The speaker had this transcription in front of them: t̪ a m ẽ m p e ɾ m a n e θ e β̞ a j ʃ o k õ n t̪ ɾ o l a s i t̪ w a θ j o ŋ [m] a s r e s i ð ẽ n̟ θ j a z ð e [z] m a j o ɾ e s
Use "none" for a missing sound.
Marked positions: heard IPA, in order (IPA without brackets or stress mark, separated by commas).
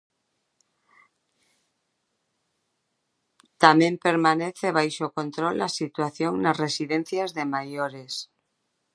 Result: n, none